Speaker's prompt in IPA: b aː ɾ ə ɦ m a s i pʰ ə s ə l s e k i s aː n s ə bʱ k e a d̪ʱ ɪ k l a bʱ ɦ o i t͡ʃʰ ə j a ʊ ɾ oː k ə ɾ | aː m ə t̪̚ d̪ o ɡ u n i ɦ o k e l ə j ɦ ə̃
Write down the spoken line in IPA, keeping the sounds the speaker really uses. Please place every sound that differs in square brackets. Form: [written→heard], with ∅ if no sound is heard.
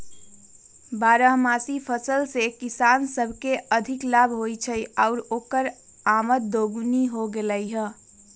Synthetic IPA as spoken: b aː ɾ ə ɦ m a s i pʰ ə s ə l s e k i s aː n s ə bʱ k e [a→ə] d̪ʱ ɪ k l a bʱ ɦ o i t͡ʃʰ ə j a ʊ ɾ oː k ə ɾ | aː m ə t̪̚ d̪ o ɡ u n i ɦ o [k→ɡ] e l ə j ɦ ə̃